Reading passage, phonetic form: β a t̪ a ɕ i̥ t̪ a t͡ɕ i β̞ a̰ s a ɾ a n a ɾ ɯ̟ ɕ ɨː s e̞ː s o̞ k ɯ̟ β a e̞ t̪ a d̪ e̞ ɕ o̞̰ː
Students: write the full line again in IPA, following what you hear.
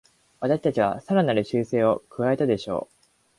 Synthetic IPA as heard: β a t̪ a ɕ i̥ t̪ a t͡ɕ i β̞ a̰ s a ɾ a n a ɾ ɯ̟ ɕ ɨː s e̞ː o̞ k ɯ̟ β a e̞ t̪ a d̪ e̞ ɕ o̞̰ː